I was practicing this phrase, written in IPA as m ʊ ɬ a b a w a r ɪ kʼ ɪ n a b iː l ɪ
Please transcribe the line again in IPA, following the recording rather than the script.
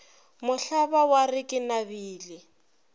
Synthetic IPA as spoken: m ʊ ɬ a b a w a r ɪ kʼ ɪ n a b iː l ɪ